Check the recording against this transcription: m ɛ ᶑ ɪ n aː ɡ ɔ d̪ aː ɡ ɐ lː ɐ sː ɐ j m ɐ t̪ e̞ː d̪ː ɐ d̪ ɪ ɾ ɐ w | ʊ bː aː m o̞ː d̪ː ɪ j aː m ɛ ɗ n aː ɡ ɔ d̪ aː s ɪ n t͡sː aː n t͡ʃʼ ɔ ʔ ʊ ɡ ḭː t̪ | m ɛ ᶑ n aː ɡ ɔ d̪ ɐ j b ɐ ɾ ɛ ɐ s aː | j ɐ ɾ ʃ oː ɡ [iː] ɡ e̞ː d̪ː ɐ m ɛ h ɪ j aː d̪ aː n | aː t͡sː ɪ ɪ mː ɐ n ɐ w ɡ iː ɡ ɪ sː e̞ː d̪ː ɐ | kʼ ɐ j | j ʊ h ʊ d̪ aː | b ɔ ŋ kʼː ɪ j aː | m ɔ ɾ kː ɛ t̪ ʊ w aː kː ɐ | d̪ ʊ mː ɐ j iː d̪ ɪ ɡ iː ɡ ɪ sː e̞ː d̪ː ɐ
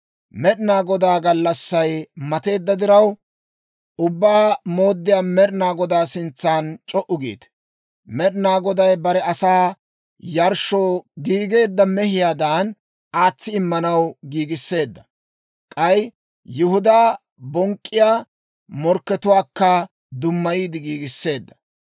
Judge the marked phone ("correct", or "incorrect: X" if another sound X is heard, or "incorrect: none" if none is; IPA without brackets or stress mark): correct